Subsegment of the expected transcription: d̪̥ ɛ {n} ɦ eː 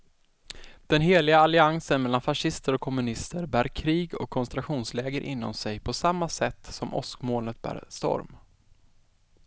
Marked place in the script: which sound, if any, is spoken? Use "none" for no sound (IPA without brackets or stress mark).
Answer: n